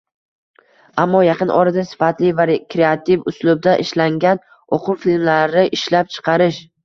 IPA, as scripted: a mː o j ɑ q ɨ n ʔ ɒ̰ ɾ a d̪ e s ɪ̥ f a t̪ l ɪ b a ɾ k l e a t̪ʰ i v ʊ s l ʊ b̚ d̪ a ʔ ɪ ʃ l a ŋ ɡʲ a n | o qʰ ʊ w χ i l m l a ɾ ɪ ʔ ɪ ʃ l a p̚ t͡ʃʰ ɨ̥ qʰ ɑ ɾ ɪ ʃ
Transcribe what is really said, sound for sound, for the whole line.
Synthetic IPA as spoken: a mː ɒ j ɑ q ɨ n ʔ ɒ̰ ɾ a d̪ a s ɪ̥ f a t̪ l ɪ v a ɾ k ɾ e a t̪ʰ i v ʊ s l ʊ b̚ d̪ a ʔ ɪ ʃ l a ŋ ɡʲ a n | o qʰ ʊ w f i l m l a ɾ ɪ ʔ ɪ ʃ l a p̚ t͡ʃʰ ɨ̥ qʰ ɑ ɾ ɪ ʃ